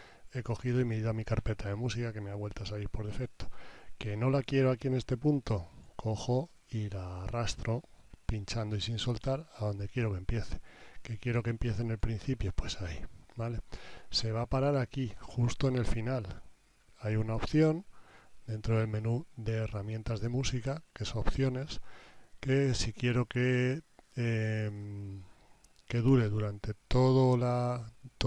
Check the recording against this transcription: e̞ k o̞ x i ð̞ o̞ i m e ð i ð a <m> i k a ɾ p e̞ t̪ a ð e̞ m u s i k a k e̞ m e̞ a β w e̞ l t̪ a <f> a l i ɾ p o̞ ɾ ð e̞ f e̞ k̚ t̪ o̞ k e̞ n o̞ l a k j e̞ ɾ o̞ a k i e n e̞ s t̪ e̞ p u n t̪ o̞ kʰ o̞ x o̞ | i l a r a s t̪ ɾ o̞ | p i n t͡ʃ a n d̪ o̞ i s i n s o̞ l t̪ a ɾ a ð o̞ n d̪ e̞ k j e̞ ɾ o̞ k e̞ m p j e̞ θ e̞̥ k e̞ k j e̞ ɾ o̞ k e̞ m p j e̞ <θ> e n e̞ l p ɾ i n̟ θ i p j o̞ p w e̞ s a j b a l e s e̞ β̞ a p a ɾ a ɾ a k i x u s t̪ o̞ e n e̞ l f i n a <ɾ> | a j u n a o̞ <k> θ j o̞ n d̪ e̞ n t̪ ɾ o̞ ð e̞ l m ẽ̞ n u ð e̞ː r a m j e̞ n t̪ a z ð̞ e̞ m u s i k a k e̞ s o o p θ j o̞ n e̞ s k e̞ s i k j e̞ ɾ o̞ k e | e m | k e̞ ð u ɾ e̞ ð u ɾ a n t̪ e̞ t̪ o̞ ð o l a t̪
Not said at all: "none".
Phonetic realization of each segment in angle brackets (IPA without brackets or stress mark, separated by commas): m, s, θ, l, p